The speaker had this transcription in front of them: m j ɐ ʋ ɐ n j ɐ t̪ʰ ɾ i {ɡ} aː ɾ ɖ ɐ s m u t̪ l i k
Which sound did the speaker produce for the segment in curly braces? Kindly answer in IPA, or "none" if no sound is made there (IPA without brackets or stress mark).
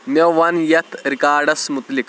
k